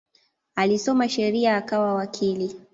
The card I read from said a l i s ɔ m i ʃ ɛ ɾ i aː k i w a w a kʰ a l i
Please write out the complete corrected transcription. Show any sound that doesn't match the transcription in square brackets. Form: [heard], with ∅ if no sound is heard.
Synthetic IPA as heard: a l i s ɔ m [a] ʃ ɛ ɾ i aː k [a] w a w a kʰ [i] l i